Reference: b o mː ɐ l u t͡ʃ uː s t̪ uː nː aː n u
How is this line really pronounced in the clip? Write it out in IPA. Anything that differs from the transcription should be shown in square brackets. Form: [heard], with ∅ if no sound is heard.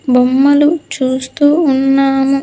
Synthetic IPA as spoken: b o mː ɐ l u t͡ʃ uː s t̪ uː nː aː [m] u